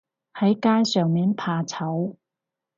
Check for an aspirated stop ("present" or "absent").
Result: present